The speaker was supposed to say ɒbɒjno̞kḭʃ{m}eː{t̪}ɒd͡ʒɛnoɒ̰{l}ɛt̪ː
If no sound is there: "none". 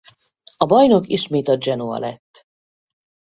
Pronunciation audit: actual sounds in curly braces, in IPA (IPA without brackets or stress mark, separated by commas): m, t̪, l